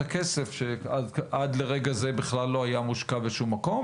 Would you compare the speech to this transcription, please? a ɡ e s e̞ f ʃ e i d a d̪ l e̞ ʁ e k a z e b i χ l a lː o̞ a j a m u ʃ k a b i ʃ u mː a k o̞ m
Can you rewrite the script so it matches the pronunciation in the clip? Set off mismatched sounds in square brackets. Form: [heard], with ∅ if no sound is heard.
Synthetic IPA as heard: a [k] e s e̞ f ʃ e [a] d a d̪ l e̞ ʁ e [ɡ] a z e b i χ l a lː o̞ a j a m u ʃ k a b [e] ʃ u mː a k o̞ m